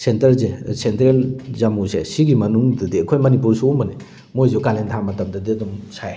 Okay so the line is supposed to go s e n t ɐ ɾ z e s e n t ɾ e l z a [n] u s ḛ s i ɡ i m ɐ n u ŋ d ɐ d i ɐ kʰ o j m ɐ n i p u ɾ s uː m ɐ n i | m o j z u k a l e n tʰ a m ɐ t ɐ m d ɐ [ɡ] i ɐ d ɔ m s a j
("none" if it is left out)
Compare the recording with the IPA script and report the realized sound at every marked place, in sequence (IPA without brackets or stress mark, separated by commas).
m, d